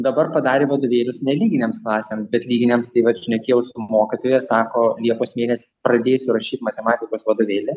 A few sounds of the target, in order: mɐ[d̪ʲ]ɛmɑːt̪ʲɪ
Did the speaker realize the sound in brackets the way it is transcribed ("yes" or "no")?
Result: no